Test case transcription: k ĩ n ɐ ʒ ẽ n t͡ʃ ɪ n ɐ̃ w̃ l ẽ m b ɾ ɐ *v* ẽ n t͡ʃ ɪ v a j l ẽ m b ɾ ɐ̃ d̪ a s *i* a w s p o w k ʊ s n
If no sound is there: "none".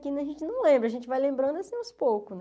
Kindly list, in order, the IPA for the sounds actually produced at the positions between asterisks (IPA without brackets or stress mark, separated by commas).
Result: ʒ, ĩ